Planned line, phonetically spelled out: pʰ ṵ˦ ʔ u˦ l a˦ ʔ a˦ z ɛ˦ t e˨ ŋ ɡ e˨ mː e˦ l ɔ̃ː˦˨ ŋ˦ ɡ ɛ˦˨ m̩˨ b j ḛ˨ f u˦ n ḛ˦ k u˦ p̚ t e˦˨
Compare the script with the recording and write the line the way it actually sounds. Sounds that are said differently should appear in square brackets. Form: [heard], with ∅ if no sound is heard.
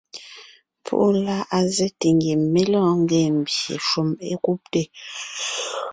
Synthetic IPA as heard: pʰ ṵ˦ ʔ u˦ l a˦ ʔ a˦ z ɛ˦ t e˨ ŋ ɡ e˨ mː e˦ l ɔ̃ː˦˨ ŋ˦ ɡ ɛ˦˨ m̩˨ b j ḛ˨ [ʃ] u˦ [m] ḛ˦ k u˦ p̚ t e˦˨

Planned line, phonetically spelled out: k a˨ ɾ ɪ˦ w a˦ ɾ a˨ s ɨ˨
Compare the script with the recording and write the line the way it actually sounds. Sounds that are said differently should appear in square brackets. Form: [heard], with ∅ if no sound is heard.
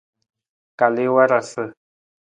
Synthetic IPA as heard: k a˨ [l] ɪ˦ w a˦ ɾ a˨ s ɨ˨

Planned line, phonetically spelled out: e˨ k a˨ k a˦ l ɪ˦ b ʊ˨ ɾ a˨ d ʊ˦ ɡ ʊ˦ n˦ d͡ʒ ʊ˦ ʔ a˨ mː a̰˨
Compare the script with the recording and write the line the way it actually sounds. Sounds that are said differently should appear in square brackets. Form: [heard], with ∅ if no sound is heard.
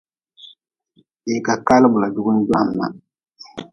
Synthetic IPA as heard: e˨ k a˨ k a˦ l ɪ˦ b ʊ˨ [l] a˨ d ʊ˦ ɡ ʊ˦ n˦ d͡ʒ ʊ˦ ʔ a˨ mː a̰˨

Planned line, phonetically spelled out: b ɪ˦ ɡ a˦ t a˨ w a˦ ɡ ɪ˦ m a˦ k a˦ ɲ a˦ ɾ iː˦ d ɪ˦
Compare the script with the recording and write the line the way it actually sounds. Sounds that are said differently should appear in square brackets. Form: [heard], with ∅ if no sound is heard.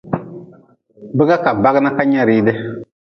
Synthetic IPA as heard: b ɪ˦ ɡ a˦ [k] a˨ [b] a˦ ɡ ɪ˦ [n] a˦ k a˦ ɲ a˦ ɾ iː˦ d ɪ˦

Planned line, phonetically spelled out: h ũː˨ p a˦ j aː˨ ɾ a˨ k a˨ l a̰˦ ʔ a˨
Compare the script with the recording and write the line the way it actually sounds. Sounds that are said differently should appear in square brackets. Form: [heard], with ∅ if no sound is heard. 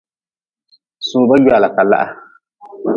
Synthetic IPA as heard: [s] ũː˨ [b] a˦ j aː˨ [l] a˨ k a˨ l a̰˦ ʔ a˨

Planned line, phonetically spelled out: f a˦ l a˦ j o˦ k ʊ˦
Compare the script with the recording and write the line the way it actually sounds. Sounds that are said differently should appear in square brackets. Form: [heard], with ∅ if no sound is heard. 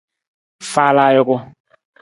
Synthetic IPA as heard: f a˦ l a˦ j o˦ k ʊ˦

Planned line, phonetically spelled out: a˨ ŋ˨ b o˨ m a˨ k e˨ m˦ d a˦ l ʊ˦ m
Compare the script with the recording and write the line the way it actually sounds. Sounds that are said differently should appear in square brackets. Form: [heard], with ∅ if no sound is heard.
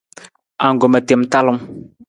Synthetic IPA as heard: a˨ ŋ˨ [ɡ] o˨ m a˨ [t] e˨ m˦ [t] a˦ l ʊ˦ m

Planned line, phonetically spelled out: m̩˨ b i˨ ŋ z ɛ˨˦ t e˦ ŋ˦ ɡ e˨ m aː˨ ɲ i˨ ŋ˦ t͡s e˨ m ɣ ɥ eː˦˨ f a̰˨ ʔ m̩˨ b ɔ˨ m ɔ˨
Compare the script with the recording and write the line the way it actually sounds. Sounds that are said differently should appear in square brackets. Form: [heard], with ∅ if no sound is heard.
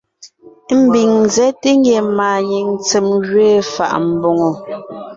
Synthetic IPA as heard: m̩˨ b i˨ ŋ z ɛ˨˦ t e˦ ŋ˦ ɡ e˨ m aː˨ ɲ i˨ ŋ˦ t͡s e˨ m ɣ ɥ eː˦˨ f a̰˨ ʔ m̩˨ b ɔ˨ [ŋ] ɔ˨

